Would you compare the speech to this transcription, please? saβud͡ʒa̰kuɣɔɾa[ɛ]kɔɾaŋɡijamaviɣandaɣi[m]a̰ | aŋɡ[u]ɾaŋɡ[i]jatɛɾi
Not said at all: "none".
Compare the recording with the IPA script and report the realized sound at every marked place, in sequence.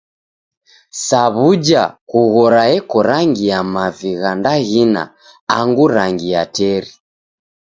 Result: ɛ, n, u, i

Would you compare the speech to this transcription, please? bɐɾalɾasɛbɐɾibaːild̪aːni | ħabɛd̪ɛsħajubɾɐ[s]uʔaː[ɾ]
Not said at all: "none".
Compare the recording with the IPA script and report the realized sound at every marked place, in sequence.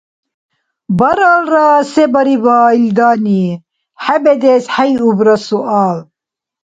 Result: s, l

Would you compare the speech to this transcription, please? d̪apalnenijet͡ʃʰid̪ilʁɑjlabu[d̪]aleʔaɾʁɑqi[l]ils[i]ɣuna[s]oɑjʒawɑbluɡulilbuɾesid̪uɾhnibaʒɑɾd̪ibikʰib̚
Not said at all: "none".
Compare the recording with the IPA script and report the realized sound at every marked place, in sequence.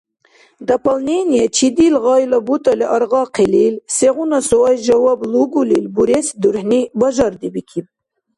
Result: t̪, l, e, s

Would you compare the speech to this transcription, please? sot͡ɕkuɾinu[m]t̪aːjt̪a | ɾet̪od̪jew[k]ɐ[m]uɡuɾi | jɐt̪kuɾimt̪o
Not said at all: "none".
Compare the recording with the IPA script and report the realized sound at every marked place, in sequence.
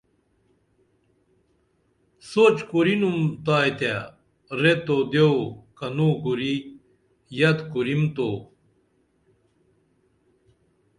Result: m, k, n

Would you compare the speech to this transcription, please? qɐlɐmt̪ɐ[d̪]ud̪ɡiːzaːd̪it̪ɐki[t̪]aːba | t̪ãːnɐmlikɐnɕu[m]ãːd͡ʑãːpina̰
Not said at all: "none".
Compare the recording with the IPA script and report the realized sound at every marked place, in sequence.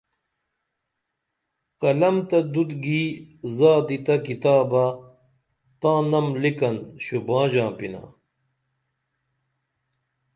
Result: d̪, t̪, b

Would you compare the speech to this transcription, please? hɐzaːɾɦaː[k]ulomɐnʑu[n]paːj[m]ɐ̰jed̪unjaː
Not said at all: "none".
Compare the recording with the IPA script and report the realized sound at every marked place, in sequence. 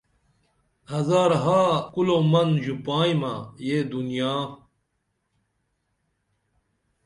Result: k, none, m

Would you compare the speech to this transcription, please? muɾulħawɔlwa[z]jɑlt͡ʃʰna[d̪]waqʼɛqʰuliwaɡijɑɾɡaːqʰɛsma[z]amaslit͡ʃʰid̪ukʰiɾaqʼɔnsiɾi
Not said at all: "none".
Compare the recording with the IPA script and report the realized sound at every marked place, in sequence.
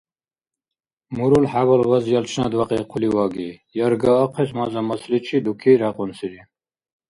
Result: z, d̪, z

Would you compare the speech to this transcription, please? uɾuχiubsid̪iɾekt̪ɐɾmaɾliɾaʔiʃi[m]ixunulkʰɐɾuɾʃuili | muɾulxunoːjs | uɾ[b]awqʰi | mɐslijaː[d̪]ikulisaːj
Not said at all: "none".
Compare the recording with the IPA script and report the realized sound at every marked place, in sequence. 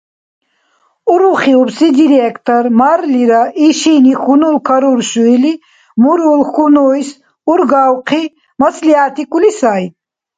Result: n, ɡ, t̪

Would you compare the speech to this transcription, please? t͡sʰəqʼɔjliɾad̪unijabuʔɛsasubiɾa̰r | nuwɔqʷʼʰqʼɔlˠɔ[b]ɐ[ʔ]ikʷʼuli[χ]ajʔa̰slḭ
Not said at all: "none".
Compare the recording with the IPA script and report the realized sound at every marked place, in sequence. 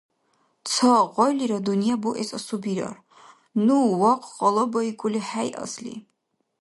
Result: b, none, ħ

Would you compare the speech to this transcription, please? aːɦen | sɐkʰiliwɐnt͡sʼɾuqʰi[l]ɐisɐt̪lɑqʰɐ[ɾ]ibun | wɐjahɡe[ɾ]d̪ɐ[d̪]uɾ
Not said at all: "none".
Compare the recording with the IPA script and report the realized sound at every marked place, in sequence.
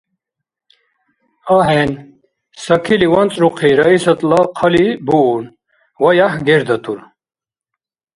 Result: ɾ, l, ɾ, t̪

